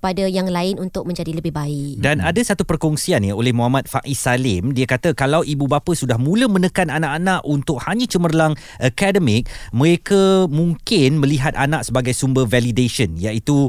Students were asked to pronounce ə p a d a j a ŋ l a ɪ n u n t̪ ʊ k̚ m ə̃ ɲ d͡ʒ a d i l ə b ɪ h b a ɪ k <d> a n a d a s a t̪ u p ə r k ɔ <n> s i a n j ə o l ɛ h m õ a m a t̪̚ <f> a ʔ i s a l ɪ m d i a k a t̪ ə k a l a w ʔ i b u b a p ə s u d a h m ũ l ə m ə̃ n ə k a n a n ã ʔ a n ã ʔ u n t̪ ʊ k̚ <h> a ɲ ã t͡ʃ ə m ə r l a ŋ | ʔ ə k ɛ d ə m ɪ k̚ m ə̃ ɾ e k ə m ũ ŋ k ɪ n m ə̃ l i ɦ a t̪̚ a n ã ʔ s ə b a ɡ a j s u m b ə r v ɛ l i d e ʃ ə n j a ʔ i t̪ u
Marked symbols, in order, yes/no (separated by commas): yes, no, yes, yes